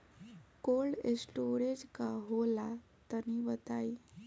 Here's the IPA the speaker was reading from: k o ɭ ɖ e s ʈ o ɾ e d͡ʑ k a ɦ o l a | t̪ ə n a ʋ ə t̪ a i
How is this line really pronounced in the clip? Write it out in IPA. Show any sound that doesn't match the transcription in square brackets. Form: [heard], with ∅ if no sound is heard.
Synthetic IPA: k o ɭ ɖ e s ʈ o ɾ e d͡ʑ k a ɦ o l a | t̪ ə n [i] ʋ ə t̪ a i